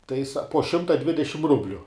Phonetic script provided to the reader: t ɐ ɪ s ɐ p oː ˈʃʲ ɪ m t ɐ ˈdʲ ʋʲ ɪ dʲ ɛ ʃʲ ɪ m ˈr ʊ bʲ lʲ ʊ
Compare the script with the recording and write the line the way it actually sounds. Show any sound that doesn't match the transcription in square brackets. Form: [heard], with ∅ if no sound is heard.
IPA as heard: t ɐ ɪ s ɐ p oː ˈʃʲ ɪ m t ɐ ˈdʲ ʋʲ ɪ dʲ ɛ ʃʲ ɪ m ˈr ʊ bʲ lʲ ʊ